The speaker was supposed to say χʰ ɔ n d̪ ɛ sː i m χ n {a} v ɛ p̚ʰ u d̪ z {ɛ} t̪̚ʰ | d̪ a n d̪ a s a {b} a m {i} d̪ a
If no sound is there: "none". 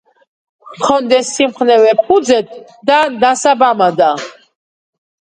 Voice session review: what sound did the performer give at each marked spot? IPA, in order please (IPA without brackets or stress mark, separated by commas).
ɛ, ɛ, b, a